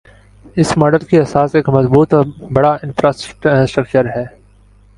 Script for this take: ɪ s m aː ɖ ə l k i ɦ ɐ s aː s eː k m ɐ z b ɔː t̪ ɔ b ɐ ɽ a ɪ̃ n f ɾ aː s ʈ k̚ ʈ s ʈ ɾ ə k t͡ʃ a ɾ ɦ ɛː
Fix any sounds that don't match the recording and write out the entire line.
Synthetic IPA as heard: ɪ s m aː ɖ ə l k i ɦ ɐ s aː s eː k m ɐ z b uː t̪ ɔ b ɐ ɽ a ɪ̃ n f ɾ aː s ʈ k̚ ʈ s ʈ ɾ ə k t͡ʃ ə ɾ ɦ ɛː